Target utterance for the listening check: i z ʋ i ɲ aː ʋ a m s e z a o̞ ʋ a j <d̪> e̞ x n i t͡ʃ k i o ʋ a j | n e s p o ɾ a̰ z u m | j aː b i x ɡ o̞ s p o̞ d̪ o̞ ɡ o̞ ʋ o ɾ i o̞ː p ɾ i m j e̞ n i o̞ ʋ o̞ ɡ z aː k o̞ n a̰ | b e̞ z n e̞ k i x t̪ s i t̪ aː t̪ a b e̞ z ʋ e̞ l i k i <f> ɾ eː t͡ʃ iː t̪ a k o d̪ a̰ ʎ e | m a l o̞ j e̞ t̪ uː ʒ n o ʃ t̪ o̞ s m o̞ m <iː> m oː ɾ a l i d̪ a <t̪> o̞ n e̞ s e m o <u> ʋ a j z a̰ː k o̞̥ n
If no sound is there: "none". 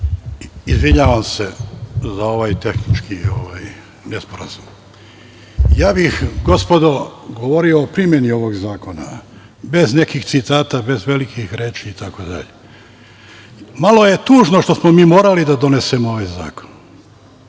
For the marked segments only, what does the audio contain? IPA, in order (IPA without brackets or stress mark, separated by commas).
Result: t̪, x, iː, d̪, o